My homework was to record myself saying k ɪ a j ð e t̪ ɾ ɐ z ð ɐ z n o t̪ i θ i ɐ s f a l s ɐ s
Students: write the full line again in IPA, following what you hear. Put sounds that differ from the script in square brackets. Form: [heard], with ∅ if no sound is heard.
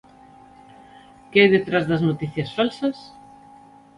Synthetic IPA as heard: k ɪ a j ð e t̪ ɾ [a] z ð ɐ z n o t̪ i θ [j] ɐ s f a l s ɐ s